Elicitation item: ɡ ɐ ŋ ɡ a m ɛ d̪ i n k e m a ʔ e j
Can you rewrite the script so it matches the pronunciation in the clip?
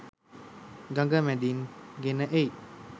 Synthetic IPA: ɡ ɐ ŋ ɡ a m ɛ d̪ i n ɡ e n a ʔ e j